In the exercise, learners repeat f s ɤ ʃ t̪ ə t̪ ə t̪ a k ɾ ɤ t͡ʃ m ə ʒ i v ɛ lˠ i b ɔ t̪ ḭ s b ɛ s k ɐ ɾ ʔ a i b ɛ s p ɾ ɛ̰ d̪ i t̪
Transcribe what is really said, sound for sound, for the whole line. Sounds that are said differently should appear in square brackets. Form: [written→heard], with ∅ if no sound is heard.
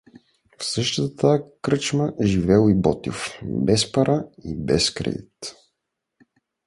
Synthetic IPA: f s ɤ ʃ t̪ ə t̪ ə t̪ a k ɾ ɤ t͡ʃ m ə ʒ i v ɛ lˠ i b ɔ t̪ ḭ [s→f] b ɛ s [k→p] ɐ ɾ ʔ a i b ɛ s [p→k] ɾ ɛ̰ d̪ i t̪

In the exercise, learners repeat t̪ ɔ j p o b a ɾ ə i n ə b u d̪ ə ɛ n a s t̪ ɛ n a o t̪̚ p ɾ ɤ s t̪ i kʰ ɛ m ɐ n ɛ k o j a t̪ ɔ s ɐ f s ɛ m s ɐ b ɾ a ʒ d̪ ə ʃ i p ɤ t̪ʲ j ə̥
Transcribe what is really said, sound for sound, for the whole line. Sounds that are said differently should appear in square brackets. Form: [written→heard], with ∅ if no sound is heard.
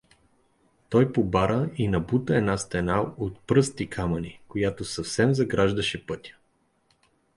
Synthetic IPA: t̪ ɔ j p o b a ɾ ə i n [ə→ɐ] b u [d̪→t̪] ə ɛ n a s t̪ ɛ n a o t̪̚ p ɾ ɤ s t̪ i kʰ [ɛ→a] m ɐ n [ɛ→i] k o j a t̪ [ɔ→o] s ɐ f s ɛ m [s→z] ɐ [b→ɡ] ɾ a ʒ d̪ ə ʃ [i→ɛ] p ɤ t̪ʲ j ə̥

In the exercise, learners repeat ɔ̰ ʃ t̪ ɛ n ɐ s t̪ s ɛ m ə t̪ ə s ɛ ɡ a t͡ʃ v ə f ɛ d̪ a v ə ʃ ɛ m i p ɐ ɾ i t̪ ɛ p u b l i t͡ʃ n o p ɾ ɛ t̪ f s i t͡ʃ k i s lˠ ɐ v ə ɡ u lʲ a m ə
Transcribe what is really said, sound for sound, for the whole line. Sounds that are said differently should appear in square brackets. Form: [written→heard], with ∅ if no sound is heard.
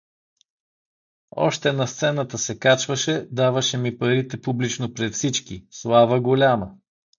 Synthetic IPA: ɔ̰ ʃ t̪ ɛ n ɐ s t̪ s ɛ [m→n] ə t̪ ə s ɛ [ɡ→k] a t͡ʃ v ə [f→ʃ] ɛ d̪ a v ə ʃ ɛ m i p ɐ ɾ i t̪ ɛ p u b l i t͡ʃ n o p ɾ ɛ t̪ f s i t͡ʃ k i s lˠ [ɐ→a] v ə ɡ [u→o] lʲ a m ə

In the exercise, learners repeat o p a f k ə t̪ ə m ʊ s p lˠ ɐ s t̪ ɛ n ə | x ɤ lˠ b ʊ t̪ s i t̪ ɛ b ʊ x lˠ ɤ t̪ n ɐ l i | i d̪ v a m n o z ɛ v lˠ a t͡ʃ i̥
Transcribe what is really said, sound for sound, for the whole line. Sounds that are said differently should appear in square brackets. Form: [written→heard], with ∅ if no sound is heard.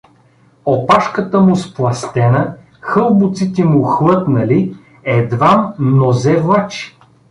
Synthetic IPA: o p a [f→ʃ] k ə t̪ ə m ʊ s p lˠ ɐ s t̪ ɛ n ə | x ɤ lˠ b ʊ t̪ s i t̪ ɛ [b→m] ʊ x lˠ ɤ t̪ n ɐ l i | [i→ɛ] d̪ v a m n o z ɛ v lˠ a t͡ʃ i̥

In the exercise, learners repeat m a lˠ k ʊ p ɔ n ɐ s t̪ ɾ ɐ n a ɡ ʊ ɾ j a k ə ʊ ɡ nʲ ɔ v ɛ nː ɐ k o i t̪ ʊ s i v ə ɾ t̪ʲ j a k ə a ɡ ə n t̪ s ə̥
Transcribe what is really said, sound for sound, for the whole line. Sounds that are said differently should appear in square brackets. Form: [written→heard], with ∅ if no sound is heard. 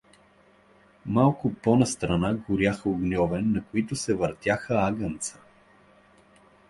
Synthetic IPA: m a lˠ k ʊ p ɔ n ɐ s t̪ ɾ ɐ n a ɡ ʊ ɾ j a [k→x] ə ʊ ɡ nʲ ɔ v ɛ nː ɐ k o i t̪ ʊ s [i→ɛ] v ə ɾ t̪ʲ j a [k→x] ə a ɡ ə n t̪ s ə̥

